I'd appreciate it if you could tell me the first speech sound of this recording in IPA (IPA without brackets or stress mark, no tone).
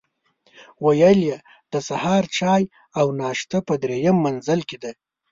w